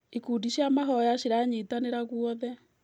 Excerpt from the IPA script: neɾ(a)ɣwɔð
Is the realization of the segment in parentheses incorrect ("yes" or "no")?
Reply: no